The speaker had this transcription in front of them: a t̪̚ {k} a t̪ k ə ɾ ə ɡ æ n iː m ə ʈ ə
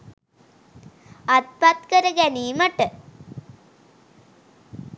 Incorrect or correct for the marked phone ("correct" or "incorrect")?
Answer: incorrect